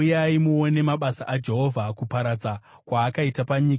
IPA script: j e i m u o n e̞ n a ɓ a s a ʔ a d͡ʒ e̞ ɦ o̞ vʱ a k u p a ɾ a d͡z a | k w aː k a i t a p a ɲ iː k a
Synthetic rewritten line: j a i m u o n e̞ m a ɓ a s a ʔ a d͡ʒ e̞ ɦ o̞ vʱ a k u p a ɾ a d͡z a | k w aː k a i t a p a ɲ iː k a